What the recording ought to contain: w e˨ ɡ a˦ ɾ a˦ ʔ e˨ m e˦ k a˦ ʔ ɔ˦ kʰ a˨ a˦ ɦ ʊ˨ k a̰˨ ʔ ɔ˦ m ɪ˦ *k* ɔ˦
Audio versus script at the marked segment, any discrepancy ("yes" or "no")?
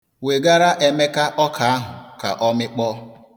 yes